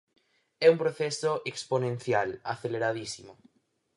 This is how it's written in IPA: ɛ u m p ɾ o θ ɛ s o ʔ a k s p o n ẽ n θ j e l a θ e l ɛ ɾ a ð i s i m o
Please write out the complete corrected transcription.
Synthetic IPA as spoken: ɛ u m p ɾ o θ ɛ s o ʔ e k s p o n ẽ n θ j a l a θ e l e ɾ a ð i s i m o